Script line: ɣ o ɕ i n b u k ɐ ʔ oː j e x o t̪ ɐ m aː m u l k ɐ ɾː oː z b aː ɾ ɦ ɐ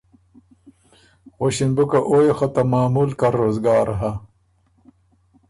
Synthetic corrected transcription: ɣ o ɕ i n b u k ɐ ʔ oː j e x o t̪ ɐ m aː m u l k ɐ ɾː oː z ɡ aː ɾ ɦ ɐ